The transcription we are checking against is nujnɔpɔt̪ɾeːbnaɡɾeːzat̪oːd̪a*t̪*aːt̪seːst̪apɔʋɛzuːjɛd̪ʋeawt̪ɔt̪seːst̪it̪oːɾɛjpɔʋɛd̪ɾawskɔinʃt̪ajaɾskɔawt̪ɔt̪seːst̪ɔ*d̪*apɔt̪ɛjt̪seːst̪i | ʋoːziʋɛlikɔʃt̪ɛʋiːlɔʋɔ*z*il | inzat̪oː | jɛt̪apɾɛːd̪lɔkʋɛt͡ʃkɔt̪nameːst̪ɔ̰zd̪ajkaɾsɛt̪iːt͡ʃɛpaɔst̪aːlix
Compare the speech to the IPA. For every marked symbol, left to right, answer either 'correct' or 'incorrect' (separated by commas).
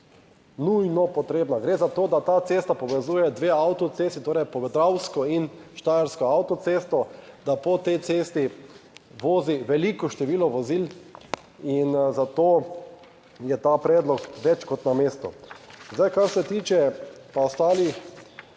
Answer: correct, correct, correct